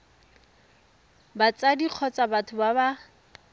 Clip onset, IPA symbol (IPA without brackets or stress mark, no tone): b